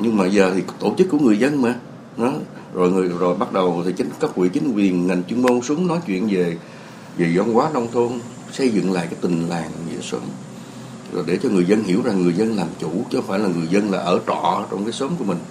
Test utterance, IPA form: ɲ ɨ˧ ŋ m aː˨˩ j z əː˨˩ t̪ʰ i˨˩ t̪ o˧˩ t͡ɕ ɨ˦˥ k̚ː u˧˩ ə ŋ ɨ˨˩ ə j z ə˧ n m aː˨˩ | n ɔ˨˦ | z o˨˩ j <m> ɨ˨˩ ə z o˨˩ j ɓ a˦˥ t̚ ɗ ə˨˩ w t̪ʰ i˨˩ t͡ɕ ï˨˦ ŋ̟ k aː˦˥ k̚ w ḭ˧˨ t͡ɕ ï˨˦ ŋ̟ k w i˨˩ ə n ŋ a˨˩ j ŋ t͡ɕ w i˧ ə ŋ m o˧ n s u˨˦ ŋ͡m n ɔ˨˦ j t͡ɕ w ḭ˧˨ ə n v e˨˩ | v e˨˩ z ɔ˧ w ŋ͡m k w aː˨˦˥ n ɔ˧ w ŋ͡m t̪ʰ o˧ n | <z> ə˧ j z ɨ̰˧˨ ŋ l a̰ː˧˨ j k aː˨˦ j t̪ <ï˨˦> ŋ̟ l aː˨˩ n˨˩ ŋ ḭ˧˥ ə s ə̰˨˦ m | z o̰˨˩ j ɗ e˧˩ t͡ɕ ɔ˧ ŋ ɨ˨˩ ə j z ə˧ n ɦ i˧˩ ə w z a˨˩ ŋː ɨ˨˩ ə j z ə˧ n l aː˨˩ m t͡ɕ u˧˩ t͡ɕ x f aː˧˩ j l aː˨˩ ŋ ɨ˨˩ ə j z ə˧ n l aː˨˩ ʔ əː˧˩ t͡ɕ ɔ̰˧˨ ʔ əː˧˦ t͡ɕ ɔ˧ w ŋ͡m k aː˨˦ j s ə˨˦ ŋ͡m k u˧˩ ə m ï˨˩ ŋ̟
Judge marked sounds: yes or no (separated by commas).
no, no, no